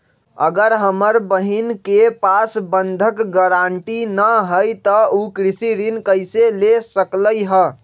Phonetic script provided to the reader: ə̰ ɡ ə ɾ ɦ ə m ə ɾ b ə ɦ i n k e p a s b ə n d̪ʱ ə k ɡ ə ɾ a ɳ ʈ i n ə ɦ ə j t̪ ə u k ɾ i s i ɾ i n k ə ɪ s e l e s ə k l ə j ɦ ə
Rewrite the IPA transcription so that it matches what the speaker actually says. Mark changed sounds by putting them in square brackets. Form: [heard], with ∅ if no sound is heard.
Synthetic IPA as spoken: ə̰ ɡ ə ɾ ɦ ə m ə ɾ b ə ɦ i n k e p a s b ə n d̪ʱ ə k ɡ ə ɾ a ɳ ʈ i n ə ɦ ə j t̪ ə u k ɾ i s i ɾ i n k ə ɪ s e l e s ə k l ə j ɦ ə